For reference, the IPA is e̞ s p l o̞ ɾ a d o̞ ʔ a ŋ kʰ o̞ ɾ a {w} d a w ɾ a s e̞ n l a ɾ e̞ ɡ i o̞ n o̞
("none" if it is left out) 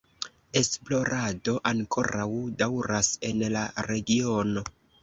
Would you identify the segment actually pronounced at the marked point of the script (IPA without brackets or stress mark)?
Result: w